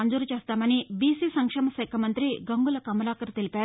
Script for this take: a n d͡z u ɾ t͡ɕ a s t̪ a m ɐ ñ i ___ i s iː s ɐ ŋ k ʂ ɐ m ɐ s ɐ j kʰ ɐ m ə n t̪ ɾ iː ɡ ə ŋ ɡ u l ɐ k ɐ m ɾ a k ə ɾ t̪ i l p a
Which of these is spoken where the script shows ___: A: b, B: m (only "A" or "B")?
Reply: A